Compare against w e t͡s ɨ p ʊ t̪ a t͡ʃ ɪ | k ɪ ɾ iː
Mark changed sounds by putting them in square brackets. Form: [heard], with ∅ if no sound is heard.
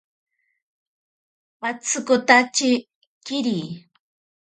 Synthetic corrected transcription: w [a] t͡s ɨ [k] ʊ t̪ a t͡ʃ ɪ | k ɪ ɾ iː